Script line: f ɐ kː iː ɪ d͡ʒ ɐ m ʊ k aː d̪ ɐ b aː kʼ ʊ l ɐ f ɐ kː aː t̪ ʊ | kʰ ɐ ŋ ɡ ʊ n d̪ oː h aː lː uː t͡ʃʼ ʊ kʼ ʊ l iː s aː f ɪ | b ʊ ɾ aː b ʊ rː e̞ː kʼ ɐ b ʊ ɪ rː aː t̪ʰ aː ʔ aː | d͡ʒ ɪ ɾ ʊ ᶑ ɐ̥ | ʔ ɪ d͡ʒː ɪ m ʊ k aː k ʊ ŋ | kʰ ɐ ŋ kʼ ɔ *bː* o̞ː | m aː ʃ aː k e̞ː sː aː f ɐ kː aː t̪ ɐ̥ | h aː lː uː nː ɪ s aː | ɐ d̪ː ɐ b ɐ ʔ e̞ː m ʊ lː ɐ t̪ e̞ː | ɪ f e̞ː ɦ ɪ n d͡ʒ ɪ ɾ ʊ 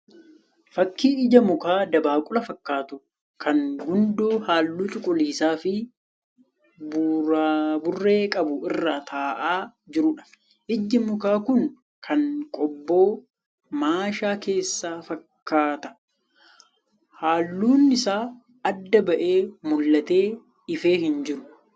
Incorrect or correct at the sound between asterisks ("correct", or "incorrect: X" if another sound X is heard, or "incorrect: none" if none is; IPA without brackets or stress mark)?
correct